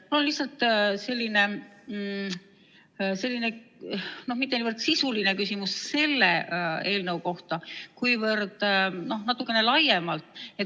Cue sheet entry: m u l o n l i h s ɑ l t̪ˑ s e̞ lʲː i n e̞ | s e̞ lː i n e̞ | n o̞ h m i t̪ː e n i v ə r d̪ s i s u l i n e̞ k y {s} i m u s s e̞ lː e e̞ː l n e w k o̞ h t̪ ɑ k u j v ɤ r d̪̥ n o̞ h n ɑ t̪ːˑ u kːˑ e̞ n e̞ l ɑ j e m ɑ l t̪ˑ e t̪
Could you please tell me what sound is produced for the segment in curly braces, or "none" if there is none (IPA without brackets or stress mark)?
s